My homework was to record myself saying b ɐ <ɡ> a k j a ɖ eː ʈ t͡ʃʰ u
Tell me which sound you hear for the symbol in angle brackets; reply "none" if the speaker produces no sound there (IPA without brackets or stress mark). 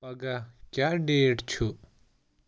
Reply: ɡ